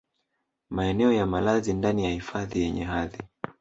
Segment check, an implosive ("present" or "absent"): absent